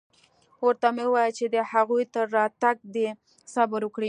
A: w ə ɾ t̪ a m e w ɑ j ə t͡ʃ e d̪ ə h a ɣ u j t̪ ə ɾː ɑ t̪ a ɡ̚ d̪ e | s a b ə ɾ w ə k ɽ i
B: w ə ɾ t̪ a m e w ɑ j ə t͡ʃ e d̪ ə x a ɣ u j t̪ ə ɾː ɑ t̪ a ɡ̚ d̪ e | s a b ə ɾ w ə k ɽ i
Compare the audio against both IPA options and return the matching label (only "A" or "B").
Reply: A